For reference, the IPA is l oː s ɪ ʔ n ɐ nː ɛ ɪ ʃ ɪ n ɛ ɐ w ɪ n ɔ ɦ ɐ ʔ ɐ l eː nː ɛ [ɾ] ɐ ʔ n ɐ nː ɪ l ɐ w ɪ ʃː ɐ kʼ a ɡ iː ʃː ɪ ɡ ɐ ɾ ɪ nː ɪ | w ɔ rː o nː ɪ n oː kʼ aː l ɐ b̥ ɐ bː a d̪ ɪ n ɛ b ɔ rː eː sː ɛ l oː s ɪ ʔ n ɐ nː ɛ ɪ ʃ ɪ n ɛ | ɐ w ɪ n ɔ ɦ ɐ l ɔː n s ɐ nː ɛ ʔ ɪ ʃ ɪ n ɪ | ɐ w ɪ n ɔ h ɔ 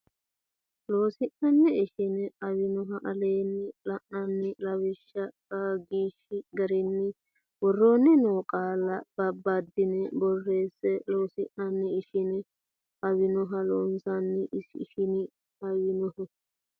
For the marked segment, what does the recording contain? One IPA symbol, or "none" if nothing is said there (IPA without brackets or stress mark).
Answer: l